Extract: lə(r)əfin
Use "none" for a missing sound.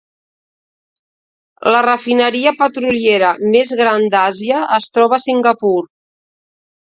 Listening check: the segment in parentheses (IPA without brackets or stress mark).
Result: r